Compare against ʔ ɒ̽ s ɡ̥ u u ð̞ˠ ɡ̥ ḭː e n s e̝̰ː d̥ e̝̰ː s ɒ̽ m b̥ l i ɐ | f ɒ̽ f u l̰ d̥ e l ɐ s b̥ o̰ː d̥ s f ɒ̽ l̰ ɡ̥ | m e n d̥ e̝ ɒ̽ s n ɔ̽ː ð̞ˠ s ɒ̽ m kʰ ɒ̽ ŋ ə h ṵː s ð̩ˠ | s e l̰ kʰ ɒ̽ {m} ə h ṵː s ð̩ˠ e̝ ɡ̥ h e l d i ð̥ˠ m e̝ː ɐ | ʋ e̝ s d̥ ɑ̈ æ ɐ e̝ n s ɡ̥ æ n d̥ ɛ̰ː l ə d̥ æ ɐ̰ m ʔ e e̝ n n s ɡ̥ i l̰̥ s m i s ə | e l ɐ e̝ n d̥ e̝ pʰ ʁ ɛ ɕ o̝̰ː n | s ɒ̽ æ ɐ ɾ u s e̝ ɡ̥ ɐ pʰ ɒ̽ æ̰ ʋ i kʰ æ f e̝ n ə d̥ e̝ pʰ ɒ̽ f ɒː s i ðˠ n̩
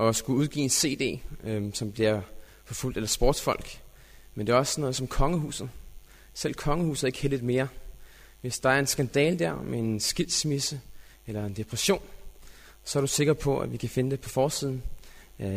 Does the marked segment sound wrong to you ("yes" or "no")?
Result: yes